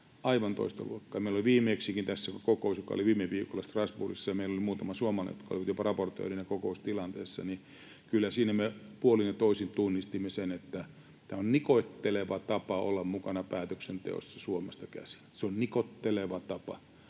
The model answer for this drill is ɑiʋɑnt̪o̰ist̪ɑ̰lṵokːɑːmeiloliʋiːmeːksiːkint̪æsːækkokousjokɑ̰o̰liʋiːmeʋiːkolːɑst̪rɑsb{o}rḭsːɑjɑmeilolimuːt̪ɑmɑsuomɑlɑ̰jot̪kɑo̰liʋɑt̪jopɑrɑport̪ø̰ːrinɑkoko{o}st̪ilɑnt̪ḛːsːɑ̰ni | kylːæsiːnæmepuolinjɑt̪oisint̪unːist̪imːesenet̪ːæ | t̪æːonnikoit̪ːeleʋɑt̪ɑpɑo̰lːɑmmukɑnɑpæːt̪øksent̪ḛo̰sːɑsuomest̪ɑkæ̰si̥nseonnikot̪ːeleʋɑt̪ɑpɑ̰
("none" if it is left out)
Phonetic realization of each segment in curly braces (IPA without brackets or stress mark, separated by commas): u, u